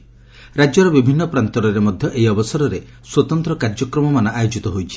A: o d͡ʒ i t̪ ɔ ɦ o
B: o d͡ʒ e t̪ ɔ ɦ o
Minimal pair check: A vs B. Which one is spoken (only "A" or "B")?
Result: A